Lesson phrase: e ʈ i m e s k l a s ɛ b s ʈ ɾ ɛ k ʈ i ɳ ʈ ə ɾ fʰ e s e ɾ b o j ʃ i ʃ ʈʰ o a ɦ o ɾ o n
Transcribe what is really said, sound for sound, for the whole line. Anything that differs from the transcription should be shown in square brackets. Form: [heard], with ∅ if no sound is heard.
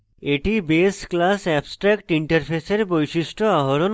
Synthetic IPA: e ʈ i [b] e s k l a s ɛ b s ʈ ɾ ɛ k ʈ i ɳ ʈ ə ɾ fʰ e s e ɾ b o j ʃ i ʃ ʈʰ o a ɦ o ɾ o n

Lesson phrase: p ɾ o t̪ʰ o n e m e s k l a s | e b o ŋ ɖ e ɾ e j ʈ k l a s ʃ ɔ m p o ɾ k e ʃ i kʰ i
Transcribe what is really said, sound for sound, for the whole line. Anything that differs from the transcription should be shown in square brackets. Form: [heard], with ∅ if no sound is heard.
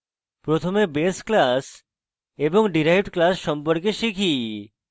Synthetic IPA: p ɾ o t̪ʰ o [m] e [b] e s k l a s | e b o ŋ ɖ [i] ɾ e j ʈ k l a s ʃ ɔ m p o ɾ k e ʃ i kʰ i

